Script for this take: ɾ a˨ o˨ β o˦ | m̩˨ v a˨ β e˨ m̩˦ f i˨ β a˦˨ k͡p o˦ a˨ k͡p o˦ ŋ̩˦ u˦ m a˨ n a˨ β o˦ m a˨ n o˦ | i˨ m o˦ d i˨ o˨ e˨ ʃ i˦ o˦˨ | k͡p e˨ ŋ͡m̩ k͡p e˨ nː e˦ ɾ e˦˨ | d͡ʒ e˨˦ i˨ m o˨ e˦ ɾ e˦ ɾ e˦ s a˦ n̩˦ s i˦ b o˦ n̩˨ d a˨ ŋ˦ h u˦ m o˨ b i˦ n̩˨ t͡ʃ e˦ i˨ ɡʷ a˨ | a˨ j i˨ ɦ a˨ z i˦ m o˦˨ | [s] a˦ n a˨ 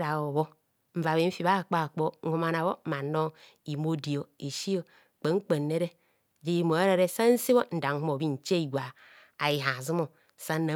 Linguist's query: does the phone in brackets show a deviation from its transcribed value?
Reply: no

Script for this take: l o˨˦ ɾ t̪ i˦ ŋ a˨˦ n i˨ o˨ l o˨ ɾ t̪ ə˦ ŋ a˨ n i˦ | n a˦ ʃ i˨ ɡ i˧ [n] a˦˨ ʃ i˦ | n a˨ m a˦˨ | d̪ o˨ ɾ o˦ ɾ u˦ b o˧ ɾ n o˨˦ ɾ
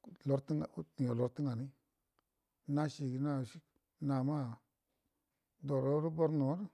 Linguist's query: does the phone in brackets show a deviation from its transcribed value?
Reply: no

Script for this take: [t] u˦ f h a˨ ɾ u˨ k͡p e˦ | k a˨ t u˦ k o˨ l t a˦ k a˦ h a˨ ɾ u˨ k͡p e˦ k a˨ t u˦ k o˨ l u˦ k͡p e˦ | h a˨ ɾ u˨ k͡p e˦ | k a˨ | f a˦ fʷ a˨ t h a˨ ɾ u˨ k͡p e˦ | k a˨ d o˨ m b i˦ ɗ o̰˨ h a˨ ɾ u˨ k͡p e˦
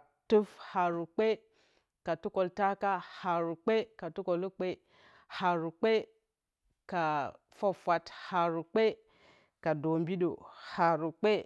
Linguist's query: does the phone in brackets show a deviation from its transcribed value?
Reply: no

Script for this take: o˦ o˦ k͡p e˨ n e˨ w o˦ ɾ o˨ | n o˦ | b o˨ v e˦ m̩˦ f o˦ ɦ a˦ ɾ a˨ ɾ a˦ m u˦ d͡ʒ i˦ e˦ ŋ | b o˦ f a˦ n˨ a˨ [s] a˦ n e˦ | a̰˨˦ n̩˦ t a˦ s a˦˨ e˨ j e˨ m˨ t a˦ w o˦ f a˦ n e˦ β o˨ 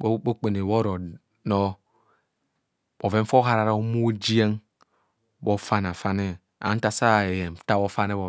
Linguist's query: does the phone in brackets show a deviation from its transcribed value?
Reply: yes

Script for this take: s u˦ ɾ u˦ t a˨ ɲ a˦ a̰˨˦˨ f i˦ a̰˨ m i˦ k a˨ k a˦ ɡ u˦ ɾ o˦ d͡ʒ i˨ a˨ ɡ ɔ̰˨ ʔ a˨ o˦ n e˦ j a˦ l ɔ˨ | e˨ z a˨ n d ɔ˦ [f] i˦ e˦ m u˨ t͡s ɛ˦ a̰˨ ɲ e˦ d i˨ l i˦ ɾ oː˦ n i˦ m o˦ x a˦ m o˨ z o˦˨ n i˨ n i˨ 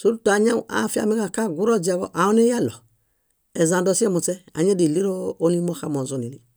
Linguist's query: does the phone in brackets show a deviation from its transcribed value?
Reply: yes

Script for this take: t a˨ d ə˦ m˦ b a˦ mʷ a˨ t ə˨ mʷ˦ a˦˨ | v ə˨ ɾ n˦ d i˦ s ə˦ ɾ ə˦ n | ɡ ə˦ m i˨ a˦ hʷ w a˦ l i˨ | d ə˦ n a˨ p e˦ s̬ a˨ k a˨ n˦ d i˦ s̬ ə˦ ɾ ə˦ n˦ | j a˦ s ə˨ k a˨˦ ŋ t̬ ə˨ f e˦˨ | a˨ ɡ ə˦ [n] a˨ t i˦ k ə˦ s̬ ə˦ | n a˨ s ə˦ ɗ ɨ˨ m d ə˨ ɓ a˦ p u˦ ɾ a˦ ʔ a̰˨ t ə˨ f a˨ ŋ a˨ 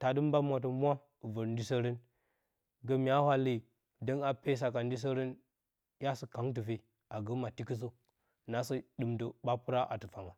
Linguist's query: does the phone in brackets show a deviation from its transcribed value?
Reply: yes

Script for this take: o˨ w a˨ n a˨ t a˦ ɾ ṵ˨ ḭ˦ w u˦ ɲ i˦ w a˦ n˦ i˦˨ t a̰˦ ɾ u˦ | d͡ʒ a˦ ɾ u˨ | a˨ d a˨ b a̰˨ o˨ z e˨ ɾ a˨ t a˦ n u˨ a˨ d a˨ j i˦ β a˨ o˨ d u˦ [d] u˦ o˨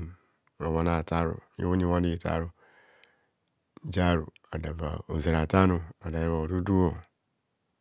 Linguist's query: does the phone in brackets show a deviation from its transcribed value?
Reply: no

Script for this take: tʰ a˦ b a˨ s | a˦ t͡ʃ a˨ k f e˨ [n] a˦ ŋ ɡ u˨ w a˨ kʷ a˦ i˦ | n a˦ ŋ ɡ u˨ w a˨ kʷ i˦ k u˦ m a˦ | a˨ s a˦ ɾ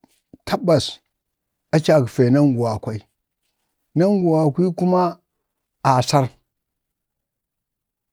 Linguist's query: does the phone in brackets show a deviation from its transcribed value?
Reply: no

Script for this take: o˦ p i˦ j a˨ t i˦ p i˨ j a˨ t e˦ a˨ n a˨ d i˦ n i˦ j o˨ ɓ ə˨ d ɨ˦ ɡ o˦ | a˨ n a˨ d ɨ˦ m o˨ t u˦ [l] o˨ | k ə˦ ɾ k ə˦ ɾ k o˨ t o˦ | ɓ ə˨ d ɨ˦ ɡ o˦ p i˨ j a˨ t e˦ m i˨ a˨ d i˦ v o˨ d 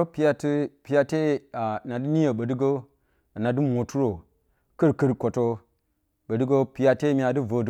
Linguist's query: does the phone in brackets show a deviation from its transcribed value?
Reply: yes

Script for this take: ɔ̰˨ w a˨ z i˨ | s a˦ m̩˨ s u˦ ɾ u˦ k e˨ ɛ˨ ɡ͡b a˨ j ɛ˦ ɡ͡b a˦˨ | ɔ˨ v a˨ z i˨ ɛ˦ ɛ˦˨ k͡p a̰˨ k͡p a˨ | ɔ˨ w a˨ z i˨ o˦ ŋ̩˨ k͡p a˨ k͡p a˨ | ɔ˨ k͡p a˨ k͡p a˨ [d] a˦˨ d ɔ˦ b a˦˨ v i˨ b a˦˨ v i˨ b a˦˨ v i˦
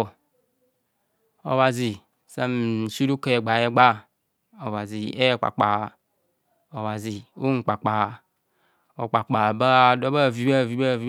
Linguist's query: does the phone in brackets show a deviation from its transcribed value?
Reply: yes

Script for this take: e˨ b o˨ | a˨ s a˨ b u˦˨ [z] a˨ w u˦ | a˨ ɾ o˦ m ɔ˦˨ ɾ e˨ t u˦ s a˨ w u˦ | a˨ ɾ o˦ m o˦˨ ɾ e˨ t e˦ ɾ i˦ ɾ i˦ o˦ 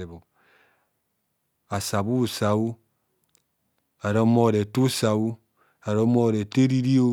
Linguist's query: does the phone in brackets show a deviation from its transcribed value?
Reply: yes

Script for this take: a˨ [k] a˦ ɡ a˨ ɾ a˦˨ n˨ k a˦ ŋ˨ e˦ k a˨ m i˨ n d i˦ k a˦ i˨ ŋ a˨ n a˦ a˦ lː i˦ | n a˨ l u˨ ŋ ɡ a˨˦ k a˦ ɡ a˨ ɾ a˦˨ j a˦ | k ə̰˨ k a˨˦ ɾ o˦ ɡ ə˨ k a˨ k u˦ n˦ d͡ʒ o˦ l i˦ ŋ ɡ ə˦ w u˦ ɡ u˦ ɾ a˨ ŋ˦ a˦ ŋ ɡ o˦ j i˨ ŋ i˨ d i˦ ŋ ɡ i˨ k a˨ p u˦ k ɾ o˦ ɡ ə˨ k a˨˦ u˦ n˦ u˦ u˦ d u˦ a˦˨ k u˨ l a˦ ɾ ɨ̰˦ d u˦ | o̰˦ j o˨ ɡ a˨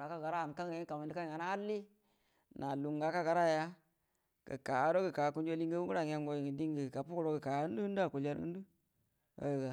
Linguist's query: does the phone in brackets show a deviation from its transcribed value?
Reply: no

